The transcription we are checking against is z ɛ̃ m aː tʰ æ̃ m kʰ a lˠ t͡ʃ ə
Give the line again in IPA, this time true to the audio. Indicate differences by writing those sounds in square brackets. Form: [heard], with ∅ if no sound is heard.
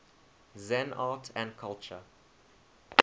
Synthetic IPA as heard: z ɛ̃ [n] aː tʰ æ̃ [n] kʰ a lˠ t͡ʃ ə